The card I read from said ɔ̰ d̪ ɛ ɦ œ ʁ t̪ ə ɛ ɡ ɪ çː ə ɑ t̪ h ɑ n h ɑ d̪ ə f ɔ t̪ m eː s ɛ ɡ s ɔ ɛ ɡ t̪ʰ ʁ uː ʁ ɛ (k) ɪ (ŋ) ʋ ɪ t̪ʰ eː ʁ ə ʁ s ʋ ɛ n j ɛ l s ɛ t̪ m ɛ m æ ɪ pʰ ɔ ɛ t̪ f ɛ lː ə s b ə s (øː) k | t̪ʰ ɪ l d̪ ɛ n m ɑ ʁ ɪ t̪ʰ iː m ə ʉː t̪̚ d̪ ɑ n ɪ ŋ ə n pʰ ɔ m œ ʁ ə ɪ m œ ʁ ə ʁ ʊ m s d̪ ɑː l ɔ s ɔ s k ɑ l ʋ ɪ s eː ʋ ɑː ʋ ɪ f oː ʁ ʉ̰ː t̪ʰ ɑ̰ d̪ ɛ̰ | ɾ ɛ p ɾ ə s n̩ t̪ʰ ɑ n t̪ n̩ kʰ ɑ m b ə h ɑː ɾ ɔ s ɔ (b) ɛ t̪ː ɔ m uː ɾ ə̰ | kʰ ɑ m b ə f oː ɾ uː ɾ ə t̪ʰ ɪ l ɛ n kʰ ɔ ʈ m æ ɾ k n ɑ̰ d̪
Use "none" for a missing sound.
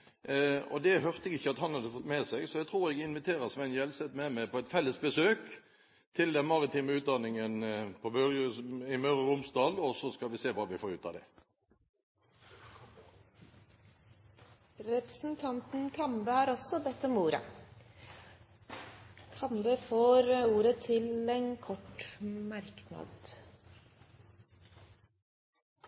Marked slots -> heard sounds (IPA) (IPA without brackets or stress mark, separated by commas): ɡ, n, øː, b